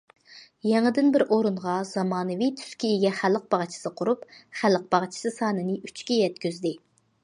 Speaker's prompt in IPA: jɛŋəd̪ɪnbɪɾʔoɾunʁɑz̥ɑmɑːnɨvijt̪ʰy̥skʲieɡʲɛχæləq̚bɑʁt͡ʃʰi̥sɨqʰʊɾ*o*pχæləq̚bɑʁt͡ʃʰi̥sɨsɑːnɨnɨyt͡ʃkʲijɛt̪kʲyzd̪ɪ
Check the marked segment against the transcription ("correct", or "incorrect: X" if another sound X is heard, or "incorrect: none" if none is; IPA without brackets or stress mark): incorrect: u